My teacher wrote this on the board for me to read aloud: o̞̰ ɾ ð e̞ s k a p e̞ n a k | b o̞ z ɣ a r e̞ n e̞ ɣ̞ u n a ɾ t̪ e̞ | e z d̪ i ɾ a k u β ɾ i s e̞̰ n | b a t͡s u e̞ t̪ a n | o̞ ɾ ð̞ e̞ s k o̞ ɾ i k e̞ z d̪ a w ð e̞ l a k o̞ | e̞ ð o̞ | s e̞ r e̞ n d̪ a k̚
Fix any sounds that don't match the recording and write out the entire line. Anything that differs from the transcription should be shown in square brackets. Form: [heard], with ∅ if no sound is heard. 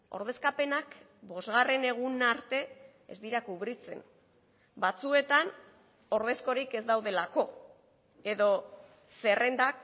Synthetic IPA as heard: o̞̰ ɾ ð e̞ s k a p e̞ n a k | b o̞ z ɣ a r e̞ n e̞ ɣ̞ u n a ɾ t̪ e̞ | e z d̪ i ɾ a k u β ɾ i [t͡s] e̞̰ n | b a t͡s u e̞ t̪ a n | o̞ ɾ ð̞ e̞ s k o̞ ɾ i k e̞ z d̪ a w ð e̞ l a k o̞ | e̞ ð o̞ | s e̞ r e̞ n d̪ a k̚

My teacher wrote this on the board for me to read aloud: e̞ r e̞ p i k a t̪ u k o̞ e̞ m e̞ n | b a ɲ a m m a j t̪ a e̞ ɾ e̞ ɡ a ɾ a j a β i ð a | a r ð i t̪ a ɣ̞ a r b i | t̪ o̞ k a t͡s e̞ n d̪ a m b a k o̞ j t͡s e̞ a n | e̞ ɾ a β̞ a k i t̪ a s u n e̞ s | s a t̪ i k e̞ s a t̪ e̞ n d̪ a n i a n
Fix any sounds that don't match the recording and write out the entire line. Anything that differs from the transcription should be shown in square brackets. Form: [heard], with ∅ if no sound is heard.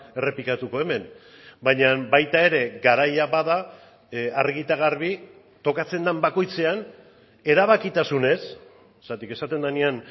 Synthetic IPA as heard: e̞ r e̞ p i k a t̪ u k o̞ e̞ m e̞ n | b a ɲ a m [b] a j t̪ a e̞ ɾ e̞ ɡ a ɾ a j a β [a] ð a | a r [ɣ] i t̪ a ɣ̞ a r [β] i | t̪ o̞ k a t͡s e̞ n d̪ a m b a k o̞ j t͡s e̞ a n | e̞ ɾ a β̞ a k i t̪ a s u n e̞ s | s a t̪ i k e̞ s a t̪ e̞ n d̪ a n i a n

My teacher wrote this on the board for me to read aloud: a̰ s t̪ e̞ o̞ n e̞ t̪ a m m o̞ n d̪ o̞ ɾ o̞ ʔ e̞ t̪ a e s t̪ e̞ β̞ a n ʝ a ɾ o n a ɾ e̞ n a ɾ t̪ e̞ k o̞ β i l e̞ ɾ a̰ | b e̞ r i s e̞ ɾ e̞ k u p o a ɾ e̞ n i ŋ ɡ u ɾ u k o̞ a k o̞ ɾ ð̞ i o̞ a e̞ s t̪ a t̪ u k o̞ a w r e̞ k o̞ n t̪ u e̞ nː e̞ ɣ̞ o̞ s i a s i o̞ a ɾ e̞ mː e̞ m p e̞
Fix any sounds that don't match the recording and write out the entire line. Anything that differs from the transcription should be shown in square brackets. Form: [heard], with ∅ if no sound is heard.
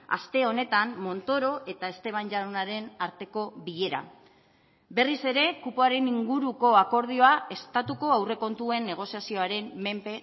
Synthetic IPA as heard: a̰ s t̪ e̞ o̞ n e̞ t̪ a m m o̞ n [t̪] o̞ ɾ o̞ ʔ e̞ t̪ a e s t̪ e̞ β̞ a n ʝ a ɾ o n a ɾ e̞ n a ɾ t̪ e̞ k o̞ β i [ʎ] e̞ ɾ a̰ | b e̞ r i s e̞ ɾ e̞ k u p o a ɾ e̞ n i ŋ ɡ u ɾ u k o̞ a k o̞ ɾ ð̞ i o̞ a e̞ s t̪ a t̪ u k o̞ a w r e̞ k o̞ n t̪ u e̞ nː e̞ ɣ̞ o̞ s i a s i o̞ a ɾ e̞ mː e̞ m p e̞

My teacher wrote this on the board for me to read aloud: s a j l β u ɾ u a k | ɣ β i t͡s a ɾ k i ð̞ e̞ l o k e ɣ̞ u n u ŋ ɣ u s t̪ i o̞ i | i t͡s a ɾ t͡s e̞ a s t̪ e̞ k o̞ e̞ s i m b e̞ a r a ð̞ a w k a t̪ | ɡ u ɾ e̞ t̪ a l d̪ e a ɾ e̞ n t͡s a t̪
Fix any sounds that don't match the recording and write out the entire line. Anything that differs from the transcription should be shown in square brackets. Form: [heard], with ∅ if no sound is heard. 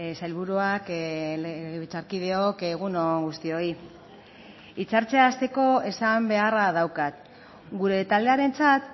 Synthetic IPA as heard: s a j l β u ɾ u a k | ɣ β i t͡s a ɾ k i ð̞ e̞ [∅] o k e ɣ̞ u n [o] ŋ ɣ u s t̪ i o̞ i | i t͡s a ɾ t͡s e̞ a s t̪ e̞ k o̞ e̞ s [a] m b e̞ a r a ð̞ a w k a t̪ | ɡ u ɾ e̞ t̪ a l d̪ e a ɾ e̞ n t͡s a t̪

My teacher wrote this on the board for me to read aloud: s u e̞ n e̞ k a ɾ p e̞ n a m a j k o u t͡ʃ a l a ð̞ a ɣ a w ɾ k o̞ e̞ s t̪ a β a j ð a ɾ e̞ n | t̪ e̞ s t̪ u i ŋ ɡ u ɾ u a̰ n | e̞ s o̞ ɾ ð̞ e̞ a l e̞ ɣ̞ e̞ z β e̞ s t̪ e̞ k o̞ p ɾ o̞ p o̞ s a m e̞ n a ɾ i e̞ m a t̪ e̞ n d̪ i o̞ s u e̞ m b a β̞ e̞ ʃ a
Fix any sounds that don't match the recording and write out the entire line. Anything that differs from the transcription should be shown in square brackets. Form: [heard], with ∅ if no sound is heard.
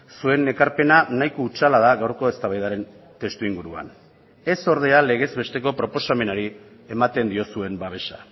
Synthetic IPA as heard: s u e̞ n e̞ k a ɾ p e̞ n a [n] a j k o u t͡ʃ a l a ð̞ a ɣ a w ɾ k o̞ e̞ s t̪ a β a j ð a ɾ e̞ n | t̪ e̞ s t̪ u i ŋ ɡ u ɾ u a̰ n | e̞ s o̞ ɾ ð̞ e̞ a l e̞ ɣ̞ e̞ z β e̞ s t̪ e̞ k o̞ p ɾ o̞ p o̞ s a m e̞ n a ɾ i e̞ m a t̪ e̞ n d̪ i o̞ s u e̞ m b a β̞ e̞ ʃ a

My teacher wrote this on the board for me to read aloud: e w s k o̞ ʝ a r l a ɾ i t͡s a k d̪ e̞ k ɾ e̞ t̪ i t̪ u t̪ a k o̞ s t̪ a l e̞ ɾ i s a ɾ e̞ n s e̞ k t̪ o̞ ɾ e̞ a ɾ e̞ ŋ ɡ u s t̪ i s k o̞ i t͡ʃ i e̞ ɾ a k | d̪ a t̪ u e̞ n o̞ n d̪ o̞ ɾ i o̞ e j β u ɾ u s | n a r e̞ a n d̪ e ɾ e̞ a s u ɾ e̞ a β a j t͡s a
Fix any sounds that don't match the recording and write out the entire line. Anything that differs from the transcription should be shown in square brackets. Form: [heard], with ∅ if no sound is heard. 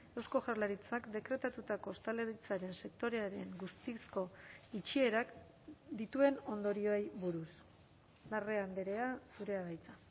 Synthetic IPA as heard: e w s k o̞ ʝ a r l a ɾ i t͡s a k d̪ e̞ k ɾ e̞ t̪ [a] t̪ u t̪ a k o̞ s t̪ a l e̞ ɾ i [t͡s] a ɾ e̞ n s e̞ k t̪ o̞ ɾ e̞ a ɾ e̞ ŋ ɡ u s t̪ i s k o̞ i t͡ʃ i e̞ ɾ a k | d̪ [i] t̪ u e̞ n o̞ n d̪ o̞ ɾ i o̞ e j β u ɾ u s | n a r e̞ a n d̪ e ɾ e̞ a s u ɾ e̞ a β a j t͡s a

